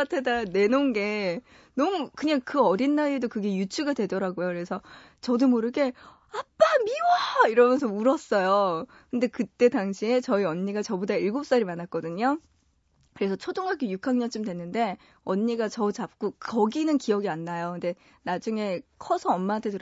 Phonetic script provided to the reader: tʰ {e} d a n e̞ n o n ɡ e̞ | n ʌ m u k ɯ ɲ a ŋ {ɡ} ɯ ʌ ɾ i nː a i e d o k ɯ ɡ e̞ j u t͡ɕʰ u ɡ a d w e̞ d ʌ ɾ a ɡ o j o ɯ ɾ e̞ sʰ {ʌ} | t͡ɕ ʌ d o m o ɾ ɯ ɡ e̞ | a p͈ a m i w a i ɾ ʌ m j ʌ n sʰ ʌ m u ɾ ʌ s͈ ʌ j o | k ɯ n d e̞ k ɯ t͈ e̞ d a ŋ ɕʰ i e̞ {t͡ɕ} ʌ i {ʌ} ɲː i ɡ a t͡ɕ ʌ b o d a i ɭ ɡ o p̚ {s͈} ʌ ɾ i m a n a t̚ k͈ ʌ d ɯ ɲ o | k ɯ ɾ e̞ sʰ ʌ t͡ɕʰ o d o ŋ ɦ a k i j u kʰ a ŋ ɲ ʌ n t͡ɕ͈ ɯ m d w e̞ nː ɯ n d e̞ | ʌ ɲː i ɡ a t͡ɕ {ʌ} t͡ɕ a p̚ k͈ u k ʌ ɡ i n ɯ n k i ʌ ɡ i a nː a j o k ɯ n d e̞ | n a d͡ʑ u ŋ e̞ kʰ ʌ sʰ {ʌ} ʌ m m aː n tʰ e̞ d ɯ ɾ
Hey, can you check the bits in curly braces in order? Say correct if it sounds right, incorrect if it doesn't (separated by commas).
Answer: correct, incorrect, correct, correct, correct, correct, correct, correct